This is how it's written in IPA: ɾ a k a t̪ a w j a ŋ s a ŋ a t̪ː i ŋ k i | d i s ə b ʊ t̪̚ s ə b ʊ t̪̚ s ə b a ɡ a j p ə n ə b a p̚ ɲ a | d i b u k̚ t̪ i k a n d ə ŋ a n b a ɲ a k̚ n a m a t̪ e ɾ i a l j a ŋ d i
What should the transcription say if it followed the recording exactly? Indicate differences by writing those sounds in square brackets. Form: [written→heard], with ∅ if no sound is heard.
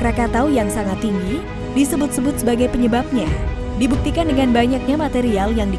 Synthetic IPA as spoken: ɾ a k a t̪ a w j a ŋ s a ŋ a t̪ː i ŋ [k→ɡ] i | d i s ə b ʊ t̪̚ s ə b ʊ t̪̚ s ə b a ɡ a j p ə [n→ɲ] ə b a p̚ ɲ a | d i b u k̚ t̪ i k a n d ə ŋ a n b a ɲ a k̚ [n→ɲ] a m a t̪ e ɾ i a l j a ŋ d i